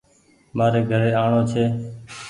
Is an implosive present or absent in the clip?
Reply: absent